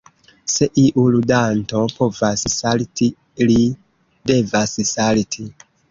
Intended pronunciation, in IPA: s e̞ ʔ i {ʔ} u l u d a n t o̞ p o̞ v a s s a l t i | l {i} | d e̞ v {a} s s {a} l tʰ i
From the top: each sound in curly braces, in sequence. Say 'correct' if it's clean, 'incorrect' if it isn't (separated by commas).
correct, correct, correct, correct